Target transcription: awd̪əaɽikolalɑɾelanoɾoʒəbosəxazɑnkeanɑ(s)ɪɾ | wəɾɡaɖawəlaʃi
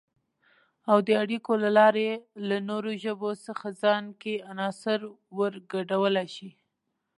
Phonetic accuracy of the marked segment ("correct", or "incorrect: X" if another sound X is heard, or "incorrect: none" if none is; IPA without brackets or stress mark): correct